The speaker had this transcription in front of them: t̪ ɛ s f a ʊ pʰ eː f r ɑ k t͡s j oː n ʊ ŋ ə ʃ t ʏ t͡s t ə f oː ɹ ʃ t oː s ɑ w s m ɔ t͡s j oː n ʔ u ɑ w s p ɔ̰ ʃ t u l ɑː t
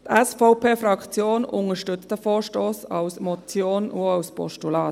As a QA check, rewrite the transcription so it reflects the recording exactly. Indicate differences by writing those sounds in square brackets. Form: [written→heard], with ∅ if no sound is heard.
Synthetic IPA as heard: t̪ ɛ s f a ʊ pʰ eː f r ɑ k t͡s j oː n ʊ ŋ ə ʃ t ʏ t͡s t ə f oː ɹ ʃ t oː s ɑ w s m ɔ t͡s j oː n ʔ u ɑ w s p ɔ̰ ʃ t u l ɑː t